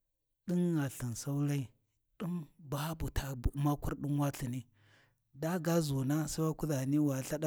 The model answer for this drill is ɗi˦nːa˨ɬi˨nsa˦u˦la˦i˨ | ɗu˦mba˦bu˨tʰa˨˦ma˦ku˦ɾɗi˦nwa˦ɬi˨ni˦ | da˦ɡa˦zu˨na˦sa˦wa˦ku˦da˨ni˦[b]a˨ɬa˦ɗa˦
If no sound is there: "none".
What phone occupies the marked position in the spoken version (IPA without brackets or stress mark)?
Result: w